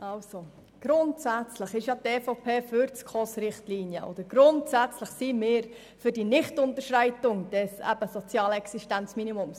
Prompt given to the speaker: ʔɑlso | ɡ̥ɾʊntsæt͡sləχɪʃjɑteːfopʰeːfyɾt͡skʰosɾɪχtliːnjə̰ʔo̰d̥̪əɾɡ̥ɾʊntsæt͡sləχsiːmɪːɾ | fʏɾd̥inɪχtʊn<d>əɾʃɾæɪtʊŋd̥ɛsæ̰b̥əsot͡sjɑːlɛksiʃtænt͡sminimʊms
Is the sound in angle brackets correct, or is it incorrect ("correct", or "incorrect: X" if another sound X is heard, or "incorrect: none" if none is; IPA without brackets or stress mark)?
incorrect: t